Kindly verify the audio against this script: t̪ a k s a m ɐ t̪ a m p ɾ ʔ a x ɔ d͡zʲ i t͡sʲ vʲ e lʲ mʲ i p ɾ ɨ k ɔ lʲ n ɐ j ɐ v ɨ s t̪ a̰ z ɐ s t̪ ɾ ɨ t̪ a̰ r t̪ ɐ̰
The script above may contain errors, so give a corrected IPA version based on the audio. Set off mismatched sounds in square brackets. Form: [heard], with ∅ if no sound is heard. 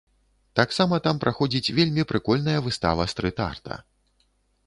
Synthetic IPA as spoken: t̪ a k s a m ɐ t̪ a m p ɾ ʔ a x ɔ d͡zʲ i t͡sʲ vʲ e lʲ mʲ i p ɾ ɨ k ɔ lʲ n ɐ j ɐ v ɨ s t̪ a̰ [v] ɐ s t̪ ɾ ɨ t̪ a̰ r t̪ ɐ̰